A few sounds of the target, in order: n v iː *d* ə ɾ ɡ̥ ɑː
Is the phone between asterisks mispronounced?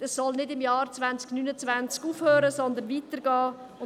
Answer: yes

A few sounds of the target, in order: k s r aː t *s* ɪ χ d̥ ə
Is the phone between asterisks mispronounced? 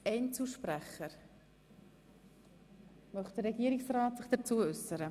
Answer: no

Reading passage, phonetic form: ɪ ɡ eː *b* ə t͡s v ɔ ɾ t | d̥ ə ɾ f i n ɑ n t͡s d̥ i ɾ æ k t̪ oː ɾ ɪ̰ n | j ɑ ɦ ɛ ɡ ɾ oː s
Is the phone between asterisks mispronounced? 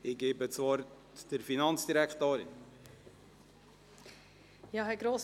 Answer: no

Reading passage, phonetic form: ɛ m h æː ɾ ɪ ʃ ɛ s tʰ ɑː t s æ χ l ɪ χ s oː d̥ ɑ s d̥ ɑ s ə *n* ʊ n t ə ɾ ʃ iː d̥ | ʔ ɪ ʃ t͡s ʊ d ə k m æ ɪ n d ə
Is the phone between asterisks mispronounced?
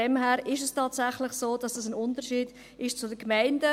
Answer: no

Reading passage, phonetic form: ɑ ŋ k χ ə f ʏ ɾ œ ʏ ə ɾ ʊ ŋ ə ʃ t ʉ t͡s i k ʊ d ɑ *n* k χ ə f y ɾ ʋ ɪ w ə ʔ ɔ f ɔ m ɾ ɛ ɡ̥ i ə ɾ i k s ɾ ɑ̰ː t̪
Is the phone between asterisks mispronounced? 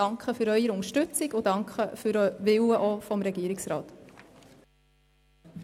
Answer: yes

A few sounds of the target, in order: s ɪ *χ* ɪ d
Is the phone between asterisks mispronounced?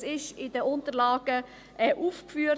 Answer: yes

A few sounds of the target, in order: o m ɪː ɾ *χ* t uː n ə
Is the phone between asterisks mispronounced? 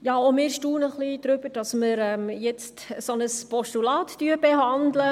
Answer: yes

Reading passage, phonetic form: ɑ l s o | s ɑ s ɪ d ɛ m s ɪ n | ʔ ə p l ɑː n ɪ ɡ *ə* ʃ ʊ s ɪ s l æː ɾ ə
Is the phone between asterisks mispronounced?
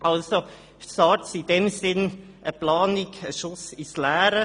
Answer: no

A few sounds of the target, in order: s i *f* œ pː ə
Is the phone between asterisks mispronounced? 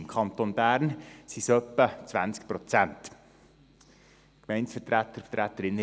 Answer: yes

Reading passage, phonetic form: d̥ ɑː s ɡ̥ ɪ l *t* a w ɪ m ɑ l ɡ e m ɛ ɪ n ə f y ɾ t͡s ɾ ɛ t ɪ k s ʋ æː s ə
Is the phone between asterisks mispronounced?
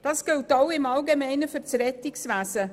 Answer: no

